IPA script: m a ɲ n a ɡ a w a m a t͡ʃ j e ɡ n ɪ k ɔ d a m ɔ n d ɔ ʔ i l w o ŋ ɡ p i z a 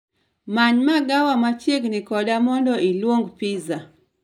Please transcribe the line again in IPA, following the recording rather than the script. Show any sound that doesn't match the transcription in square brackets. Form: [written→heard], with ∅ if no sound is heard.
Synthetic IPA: m a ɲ [n→m] a ɡ a w a m a t͡ʃ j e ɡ n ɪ k ɔ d a m ɔ n d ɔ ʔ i l w o ŋ ɡ p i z a